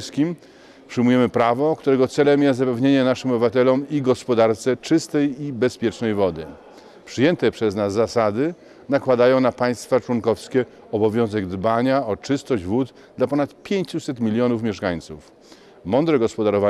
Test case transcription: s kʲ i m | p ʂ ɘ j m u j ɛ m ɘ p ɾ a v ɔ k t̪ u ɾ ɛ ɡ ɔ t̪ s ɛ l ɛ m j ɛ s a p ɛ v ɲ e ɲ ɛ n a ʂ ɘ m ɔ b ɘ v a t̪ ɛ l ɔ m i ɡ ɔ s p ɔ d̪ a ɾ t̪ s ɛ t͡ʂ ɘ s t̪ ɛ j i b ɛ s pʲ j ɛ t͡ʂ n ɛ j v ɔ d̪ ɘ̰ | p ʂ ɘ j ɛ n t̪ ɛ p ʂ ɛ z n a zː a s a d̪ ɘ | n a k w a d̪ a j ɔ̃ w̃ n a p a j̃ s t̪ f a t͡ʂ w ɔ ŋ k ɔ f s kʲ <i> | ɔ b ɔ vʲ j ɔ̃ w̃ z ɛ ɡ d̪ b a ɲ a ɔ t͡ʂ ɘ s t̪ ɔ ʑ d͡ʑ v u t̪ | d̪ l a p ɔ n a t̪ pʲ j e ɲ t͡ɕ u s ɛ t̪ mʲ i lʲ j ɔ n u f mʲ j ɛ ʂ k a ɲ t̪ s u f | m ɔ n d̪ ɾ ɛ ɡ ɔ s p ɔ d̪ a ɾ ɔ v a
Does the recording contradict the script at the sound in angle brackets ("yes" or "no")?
yes